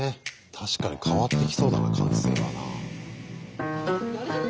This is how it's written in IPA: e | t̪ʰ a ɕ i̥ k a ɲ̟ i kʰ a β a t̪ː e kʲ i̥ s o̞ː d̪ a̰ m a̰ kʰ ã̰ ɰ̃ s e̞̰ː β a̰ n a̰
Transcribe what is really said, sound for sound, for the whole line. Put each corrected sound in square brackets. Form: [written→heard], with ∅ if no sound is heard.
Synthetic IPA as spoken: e | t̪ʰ a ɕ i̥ k a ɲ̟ i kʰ a β a t̪ː e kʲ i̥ s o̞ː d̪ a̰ [m→n] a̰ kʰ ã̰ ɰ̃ s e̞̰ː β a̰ n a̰